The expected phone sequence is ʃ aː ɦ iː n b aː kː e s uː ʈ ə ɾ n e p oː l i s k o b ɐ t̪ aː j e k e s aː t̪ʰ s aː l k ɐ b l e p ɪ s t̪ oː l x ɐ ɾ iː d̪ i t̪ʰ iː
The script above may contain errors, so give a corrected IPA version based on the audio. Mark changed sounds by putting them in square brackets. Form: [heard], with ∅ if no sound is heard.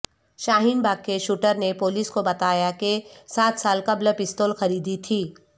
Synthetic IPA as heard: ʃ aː ɦ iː n b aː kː e [ʃ] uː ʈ ə ɾ n e p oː l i s k o b ɐ t̪ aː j [a] k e s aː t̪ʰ s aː l k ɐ b l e p ɪ s t̪ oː l x ɐ ɾ iː d̪ i t̪ʰ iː